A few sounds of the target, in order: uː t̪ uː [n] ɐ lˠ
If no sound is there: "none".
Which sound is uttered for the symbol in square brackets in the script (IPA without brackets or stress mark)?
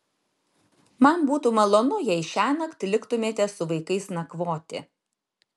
m